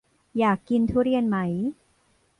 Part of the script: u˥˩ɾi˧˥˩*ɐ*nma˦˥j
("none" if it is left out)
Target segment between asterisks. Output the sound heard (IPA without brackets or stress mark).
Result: ə